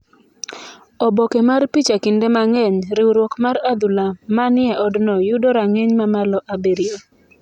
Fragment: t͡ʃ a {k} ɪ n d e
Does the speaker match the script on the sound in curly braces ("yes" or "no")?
yes